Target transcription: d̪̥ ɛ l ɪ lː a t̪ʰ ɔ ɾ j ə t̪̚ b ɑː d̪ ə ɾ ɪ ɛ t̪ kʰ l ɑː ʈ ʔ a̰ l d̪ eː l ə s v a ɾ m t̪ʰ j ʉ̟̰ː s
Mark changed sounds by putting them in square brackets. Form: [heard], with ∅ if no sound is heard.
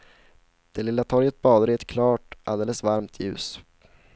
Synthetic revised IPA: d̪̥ ɛ l ɪ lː a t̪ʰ ɔ ɾ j ə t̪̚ b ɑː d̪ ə ɾ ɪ ɛ t̪ kʰ l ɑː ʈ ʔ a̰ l d̪ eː l ə s v a ɾ m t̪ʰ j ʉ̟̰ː s